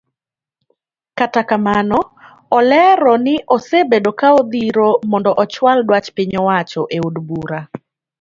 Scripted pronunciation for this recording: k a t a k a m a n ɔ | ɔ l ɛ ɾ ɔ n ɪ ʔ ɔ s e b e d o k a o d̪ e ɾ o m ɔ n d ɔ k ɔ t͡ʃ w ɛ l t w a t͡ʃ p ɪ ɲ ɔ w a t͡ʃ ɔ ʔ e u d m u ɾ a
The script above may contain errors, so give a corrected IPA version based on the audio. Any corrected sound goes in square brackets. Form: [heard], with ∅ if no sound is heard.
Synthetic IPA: k a t a k a m a n ɔ | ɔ l ɛ ɾ ɔ n ɪ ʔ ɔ s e b e d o k a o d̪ [i] ɾ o m ɔ n d ɔ [ʔ] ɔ t͡ʃ w [a] l [d] w a t͡ʃ p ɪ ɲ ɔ w a t͡ʃ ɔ ʔ e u d [b] u ɾ a